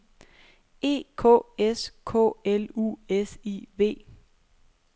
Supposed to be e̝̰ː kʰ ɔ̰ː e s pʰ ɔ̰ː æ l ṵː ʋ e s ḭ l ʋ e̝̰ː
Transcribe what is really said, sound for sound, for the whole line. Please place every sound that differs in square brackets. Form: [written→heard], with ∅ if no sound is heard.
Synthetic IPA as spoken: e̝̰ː kʰ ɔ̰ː e s [pʰ→kʰ] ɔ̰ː [æ→e] l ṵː [ʋ→∅] e s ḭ [l→∅] ʋ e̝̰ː